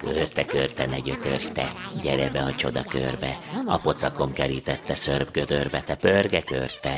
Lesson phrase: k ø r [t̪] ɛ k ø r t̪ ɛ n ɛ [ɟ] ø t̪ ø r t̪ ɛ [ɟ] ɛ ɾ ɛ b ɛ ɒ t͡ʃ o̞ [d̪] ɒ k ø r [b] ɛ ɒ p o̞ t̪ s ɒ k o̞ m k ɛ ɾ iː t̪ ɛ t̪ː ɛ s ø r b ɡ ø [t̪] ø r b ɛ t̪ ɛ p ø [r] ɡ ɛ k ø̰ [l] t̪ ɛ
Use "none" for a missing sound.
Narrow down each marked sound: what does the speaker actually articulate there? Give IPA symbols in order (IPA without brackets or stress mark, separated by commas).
t̪, ɟ, ɟ, d̪, b, d̪, r, r